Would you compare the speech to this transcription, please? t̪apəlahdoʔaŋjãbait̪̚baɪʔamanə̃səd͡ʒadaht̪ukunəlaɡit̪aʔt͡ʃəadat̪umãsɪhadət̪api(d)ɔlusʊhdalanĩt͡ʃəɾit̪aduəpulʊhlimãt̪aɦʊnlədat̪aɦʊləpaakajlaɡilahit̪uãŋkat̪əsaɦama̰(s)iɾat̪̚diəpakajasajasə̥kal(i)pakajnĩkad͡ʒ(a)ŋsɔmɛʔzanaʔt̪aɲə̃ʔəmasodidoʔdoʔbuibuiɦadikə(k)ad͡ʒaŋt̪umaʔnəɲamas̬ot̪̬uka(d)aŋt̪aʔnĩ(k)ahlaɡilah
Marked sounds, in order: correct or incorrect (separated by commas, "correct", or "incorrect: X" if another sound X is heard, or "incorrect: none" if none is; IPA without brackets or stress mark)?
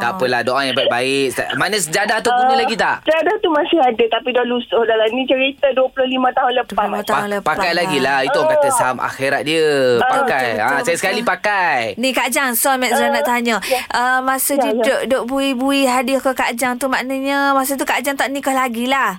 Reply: correct, incorrect: x, correct, correct, correct, incorrect: d͡ʒ, correct